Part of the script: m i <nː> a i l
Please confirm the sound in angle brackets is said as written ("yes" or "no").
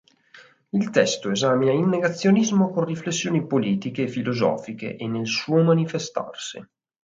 no